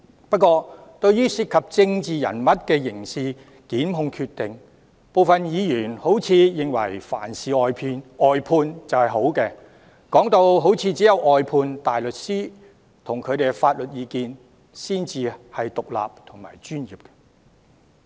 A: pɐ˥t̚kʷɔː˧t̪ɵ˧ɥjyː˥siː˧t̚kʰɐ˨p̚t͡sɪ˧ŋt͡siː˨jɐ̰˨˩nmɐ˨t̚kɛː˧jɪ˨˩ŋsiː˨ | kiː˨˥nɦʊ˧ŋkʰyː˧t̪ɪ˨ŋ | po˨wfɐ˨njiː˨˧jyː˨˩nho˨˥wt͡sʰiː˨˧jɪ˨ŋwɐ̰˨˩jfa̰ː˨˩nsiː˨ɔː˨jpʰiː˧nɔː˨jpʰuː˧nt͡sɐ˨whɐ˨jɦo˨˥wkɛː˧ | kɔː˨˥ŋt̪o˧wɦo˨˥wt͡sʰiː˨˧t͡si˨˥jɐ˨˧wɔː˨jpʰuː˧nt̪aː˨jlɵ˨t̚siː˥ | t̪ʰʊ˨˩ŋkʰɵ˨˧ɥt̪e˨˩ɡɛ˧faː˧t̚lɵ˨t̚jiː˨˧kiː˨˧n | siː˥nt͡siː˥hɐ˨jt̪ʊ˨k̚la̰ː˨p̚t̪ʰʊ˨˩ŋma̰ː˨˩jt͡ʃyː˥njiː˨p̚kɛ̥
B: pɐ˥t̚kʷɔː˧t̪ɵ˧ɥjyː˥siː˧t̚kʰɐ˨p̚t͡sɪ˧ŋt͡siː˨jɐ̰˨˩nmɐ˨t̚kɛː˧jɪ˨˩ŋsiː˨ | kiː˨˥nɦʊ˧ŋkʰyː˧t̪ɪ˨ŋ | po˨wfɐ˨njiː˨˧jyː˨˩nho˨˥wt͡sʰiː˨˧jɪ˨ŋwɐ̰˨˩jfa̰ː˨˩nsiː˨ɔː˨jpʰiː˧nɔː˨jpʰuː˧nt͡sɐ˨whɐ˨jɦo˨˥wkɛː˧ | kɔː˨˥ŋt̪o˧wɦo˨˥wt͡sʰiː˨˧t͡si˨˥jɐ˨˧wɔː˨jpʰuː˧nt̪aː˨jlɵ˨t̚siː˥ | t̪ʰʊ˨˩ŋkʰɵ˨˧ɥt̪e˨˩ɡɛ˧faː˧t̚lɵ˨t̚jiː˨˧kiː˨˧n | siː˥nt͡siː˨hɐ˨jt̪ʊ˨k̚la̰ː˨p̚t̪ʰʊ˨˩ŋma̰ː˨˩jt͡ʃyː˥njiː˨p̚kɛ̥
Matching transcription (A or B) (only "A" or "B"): B